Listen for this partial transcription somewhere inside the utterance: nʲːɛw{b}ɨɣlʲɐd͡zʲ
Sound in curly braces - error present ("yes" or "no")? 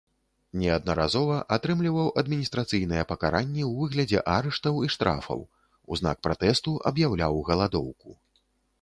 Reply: yes